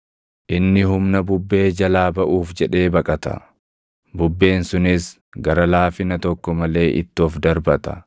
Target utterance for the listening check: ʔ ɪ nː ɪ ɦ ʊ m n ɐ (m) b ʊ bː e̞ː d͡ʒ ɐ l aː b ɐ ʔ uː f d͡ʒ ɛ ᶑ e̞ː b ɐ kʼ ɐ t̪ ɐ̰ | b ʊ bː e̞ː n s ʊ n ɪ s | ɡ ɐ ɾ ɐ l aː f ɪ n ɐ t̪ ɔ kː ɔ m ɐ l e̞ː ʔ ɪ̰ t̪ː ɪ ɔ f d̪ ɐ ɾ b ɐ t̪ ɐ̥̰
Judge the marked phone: incorrect: none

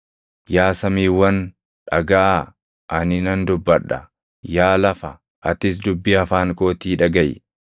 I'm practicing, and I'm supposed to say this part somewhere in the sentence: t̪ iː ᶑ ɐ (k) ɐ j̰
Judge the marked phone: incorrect: ɡ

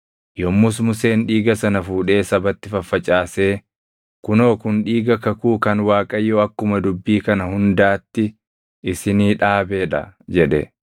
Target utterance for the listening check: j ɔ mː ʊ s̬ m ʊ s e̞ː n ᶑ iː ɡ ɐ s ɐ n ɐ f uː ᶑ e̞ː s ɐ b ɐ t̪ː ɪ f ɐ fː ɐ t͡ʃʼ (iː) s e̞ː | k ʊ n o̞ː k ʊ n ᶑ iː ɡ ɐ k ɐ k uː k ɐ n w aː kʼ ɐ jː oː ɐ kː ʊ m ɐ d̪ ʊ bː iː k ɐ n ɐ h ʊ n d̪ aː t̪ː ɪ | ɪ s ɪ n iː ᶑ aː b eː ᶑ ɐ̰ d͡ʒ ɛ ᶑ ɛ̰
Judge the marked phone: incorrect: aː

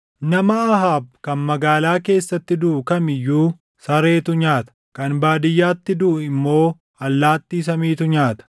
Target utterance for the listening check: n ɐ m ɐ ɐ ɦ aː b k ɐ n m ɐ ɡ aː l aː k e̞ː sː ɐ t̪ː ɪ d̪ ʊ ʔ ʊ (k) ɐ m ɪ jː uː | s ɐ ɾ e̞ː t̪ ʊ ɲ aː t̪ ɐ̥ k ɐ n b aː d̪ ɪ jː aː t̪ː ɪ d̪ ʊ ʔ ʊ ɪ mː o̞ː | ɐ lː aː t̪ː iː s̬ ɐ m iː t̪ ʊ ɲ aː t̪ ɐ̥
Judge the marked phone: correct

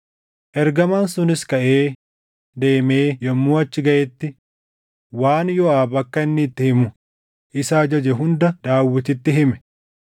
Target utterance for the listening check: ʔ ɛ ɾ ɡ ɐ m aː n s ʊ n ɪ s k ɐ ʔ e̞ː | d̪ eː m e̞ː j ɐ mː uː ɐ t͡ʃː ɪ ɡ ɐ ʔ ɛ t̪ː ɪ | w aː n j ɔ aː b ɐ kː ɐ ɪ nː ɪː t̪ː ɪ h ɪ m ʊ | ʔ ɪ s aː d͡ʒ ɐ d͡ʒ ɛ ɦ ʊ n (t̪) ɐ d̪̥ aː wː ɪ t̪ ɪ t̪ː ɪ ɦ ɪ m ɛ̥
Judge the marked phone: incorrect: d̪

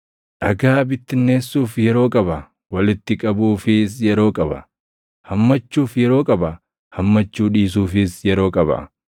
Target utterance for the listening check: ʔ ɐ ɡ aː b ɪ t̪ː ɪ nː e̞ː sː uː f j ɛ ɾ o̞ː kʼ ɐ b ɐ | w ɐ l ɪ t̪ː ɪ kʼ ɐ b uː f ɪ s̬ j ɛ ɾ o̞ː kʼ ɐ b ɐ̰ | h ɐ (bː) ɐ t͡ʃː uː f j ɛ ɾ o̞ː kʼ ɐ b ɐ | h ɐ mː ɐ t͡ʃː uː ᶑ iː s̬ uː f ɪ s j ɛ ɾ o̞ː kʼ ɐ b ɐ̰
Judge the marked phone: incorrect: mː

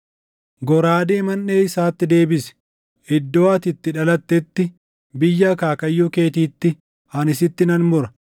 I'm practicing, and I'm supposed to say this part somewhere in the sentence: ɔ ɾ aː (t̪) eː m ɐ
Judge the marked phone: incorrect: d̪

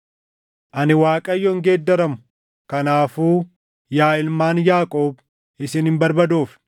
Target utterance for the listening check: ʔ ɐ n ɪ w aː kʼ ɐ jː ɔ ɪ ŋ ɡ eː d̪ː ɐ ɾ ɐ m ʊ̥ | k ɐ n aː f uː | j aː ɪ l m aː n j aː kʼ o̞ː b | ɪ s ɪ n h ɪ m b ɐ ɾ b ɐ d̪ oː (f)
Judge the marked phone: correct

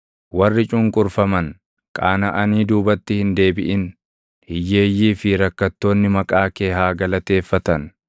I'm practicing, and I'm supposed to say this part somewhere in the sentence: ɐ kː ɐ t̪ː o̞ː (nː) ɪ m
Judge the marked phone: correct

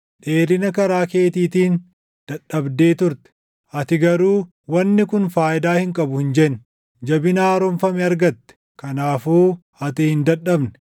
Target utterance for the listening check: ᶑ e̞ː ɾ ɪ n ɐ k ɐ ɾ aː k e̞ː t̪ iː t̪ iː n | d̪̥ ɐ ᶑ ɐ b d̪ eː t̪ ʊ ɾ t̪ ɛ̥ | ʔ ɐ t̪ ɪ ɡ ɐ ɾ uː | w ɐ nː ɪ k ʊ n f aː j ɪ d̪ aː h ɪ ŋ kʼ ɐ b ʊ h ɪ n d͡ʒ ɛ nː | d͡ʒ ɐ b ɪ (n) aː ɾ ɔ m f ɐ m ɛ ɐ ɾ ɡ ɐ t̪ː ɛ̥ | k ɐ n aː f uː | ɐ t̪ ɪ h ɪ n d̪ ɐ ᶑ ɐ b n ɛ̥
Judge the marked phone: correct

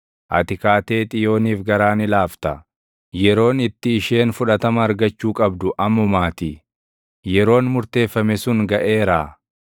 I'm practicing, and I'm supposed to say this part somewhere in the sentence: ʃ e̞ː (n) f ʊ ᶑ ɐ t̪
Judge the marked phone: correct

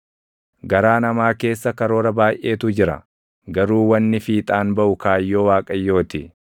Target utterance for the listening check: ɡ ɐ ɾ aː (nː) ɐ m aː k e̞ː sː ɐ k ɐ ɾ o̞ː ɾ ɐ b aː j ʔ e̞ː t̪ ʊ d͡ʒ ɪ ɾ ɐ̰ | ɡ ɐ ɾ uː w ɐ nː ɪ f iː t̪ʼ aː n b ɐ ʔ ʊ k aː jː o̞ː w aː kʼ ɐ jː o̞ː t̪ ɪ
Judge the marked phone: incorrect: n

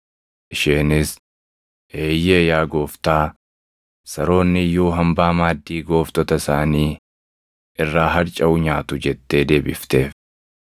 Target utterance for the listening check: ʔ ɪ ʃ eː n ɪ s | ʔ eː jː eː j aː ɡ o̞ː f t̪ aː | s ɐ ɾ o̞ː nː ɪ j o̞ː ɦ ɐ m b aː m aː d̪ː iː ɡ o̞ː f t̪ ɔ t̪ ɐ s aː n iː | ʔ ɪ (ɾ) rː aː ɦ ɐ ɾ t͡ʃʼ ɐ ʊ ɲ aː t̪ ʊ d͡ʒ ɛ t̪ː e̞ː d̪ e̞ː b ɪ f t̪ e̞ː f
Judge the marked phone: incorrect: none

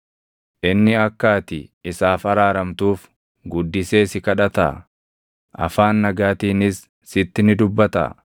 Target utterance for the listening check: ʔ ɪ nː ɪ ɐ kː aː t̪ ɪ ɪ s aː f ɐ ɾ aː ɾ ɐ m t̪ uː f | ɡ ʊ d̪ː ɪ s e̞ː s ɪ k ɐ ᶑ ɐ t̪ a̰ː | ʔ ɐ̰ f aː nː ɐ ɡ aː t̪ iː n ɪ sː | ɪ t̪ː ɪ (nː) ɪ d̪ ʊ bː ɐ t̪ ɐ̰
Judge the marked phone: incorrect: n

